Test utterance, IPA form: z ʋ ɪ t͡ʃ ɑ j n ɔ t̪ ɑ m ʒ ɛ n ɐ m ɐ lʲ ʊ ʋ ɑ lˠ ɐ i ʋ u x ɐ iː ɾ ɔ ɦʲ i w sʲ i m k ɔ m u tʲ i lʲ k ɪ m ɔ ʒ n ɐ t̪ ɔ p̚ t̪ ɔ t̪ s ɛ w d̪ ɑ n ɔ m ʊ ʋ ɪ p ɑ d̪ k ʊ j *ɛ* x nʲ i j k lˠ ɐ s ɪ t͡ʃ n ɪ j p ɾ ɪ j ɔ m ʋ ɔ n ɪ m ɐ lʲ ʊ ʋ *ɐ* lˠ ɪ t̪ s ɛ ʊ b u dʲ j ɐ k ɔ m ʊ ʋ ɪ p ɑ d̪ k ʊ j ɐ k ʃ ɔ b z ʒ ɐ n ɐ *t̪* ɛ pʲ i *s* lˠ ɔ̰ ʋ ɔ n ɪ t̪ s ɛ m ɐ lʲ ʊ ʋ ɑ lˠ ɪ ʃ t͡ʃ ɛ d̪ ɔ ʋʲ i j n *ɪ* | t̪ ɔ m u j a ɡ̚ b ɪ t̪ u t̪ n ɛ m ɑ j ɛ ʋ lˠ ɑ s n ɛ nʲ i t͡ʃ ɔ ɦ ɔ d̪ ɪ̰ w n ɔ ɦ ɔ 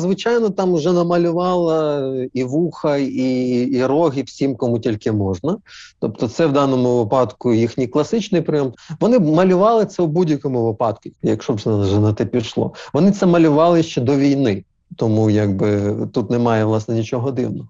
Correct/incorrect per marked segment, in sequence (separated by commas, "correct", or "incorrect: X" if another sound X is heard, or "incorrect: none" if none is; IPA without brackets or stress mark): incorrect: i, incorrect: ɑ, correct, incorrect: ʃ, correct